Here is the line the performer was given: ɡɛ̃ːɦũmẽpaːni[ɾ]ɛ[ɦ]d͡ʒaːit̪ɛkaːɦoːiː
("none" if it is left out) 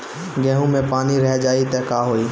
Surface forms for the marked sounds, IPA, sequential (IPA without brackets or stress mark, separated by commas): ɾ, ɦ